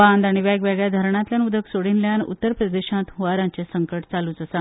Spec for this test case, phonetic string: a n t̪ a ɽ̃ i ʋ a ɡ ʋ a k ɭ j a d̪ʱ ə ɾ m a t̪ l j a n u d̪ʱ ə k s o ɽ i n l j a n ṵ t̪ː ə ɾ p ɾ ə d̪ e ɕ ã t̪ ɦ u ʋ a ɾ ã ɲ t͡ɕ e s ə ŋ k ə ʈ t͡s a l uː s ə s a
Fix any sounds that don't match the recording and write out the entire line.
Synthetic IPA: a n d̪ a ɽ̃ i ʋ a ɡ ʋ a ɡ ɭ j a d̪ʱ ə ɾ ɳ a t̪ l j a n u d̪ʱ ə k s o ɽ i n l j a n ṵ t̪ː ə ɾ p ɾ ə d̪ e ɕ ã t̪ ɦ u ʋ a ɾ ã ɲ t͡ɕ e s ə ŋ k ə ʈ t͡s a l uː t͡s ə s a